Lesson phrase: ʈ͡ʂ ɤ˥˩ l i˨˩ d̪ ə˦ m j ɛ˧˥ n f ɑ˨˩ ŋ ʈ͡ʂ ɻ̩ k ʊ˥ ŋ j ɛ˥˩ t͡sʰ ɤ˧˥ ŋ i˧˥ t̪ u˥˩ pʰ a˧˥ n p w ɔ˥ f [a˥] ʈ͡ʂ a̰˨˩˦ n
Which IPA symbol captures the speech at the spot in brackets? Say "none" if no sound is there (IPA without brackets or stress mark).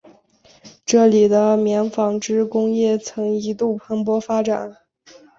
a˥